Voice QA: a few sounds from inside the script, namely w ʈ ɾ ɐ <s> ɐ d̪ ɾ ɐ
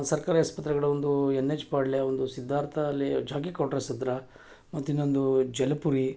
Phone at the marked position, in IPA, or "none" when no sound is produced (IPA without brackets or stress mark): s